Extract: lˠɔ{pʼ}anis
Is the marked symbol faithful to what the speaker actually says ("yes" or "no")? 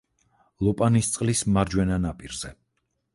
yes